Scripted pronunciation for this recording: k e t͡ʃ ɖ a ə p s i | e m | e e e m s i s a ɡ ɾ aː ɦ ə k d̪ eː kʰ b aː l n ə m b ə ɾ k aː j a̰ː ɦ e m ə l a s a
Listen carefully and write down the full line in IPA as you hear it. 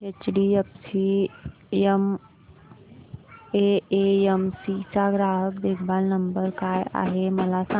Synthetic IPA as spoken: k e t͡ʃ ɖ i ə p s i | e m | e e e m s i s a ɡ ɾ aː ɦ ə k d̪ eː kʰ b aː l n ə m b ə ɾ k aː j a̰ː ɦ e m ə l a s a